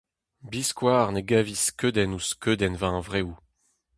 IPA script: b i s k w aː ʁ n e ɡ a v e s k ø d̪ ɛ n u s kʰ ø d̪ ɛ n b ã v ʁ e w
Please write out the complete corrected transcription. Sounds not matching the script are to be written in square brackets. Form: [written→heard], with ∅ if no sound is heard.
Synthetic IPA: b i s k w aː ʁ n e ɡ a v [e→i] s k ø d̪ ɛ n u s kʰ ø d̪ ɛ n [b→v] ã v ʁ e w